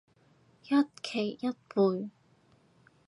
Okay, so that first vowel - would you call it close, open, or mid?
open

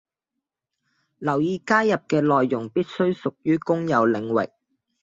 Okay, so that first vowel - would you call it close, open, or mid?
open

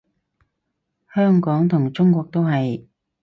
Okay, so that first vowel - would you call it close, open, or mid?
mid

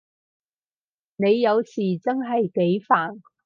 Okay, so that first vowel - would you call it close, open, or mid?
mid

